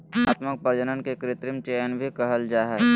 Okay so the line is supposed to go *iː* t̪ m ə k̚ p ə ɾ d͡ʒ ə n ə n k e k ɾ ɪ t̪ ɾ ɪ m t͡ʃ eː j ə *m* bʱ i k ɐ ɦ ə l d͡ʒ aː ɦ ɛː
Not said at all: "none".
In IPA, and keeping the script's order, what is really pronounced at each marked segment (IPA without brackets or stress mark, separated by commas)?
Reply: aː, n